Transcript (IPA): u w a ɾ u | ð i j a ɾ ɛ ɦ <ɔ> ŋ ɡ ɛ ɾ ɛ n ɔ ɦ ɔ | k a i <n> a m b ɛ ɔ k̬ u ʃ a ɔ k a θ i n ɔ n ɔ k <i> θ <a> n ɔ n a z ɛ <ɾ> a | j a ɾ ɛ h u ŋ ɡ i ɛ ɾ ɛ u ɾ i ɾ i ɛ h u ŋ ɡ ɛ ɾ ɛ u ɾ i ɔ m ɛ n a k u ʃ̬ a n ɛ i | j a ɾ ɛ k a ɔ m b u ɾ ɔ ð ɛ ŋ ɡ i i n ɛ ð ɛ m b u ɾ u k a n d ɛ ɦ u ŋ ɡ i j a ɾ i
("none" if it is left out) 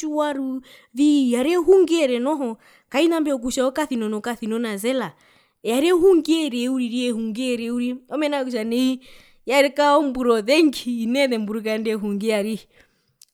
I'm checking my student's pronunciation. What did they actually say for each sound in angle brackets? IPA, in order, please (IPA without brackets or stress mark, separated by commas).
u, n, a, i, l